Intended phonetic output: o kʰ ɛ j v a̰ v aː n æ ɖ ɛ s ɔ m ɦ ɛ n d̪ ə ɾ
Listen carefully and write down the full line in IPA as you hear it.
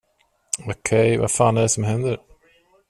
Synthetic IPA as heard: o kʰ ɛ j v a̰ f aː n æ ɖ ɛ s ɔ m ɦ ɛ n d̪ ə ɾ